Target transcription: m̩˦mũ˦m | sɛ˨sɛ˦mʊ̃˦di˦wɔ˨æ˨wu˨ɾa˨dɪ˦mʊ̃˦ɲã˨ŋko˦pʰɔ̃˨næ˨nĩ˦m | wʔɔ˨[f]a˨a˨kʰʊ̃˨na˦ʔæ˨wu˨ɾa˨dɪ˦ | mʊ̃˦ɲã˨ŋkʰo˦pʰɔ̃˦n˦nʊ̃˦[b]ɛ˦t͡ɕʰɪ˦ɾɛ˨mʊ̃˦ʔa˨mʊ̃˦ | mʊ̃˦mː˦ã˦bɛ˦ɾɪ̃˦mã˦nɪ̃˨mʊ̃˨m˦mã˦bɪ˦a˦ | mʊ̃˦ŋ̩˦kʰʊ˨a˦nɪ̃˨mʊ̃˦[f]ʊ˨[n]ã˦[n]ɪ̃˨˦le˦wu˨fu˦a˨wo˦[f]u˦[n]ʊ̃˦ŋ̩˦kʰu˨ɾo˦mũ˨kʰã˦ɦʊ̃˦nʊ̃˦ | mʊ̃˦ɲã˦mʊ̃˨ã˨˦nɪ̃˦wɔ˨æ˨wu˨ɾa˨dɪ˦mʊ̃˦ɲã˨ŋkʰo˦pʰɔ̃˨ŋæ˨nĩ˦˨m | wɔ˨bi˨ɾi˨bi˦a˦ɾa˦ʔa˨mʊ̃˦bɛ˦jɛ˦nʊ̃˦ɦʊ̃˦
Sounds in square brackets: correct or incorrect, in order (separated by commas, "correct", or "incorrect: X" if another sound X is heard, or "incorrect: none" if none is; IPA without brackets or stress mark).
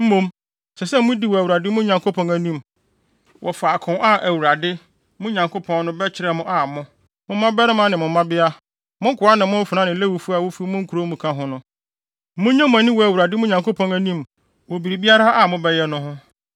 correct, correct, correct, correct, correct, correct, incorrect: m